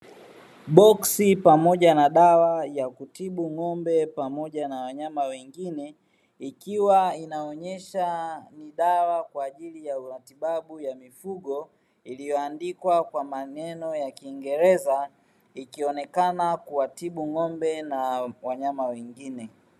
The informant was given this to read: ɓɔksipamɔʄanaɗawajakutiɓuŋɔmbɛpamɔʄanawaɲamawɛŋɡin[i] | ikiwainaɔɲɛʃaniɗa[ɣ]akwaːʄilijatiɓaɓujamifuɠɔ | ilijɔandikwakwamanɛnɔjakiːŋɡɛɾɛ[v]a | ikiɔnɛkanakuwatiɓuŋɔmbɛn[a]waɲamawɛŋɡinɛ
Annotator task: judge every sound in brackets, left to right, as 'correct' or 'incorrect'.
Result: incorrect: ɛ, incorrect: w, incorrect: z, correct

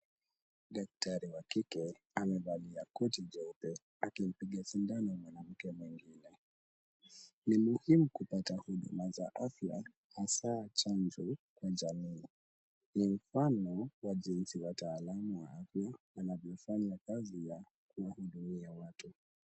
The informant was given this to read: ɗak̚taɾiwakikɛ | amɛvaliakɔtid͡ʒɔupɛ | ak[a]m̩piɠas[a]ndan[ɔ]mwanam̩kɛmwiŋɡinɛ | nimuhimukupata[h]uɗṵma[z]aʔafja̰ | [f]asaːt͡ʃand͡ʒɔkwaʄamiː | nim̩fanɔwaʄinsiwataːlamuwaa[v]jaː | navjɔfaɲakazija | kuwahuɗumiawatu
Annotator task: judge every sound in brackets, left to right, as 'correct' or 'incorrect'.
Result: incorrect: i, incorrect: i, correct, correct, correct, incorrect: h, incorrect: f

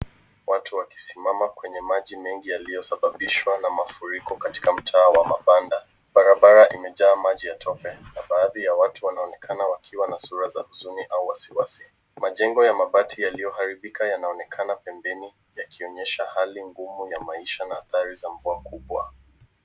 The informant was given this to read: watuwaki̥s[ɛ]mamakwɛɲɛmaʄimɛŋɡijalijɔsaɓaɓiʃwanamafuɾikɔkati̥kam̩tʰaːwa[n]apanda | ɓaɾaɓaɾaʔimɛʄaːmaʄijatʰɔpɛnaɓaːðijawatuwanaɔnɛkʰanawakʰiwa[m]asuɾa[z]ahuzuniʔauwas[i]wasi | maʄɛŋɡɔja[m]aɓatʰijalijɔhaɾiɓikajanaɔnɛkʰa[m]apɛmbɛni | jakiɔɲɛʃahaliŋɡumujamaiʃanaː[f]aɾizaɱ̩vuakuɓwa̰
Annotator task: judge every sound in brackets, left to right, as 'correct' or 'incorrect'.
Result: incorrect: i, incorrect: m, incorrect: n, correct, correct, correct, incorrect: n, incorrect: θ

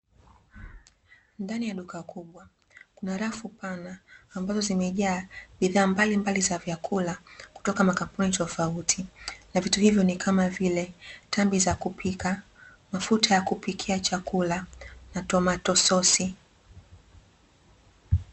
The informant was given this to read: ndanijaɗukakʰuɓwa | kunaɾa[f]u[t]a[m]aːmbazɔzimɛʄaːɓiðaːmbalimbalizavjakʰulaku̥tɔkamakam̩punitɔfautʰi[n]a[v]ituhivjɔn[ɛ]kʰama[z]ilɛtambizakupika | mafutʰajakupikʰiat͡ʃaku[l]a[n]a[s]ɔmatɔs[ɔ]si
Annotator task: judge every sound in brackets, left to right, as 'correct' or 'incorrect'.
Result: correct, incorrect: p, incorrect: n, correct, correct, incorrect: i, incorrect: v, correct, correct, incorrect: t, correct

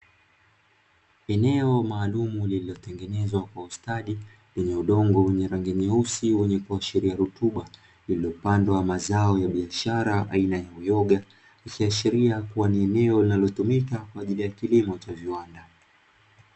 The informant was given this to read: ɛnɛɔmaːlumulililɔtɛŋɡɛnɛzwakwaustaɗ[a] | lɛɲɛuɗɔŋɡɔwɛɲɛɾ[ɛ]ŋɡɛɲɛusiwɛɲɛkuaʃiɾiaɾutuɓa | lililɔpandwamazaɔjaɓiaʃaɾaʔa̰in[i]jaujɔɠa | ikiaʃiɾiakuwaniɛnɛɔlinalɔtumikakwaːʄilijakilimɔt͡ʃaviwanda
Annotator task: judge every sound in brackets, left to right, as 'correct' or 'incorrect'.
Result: incorrect: i, incorrect: a, incorrect: a

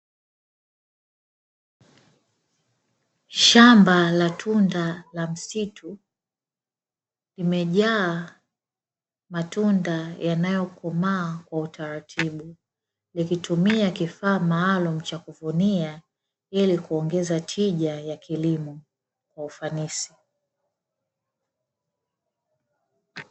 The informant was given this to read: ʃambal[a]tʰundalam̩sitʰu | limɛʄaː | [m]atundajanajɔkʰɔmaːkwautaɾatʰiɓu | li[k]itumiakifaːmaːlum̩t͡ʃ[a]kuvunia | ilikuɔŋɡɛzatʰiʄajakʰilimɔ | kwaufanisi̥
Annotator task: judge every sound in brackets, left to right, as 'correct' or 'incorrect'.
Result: correct, correct, correct, correct

